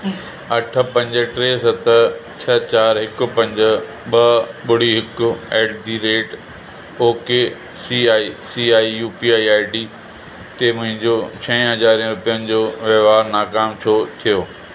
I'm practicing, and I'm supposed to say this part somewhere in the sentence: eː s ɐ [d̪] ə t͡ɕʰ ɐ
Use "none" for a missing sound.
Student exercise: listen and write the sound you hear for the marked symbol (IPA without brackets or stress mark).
t̪